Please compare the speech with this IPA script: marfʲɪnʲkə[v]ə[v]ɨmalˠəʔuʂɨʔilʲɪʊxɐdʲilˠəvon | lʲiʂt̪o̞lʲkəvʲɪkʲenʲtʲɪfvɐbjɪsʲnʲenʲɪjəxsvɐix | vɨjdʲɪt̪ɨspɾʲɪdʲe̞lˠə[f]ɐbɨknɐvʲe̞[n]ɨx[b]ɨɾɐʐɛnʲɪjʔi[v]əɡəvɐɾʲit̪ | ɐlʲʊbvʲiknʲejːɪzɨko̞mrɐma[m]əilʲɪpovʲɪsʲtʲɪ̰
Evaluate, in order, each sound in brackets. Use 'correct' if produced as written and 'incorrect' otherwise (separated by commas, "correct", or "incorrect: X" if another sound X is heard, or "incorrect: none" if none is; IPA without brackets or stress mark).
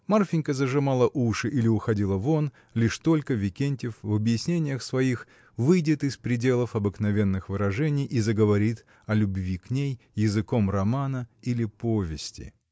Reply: incorrect: z, incorrect: ʐ, correct, incorrect: nː, incorrect: v, incorrect: z, incorrect: n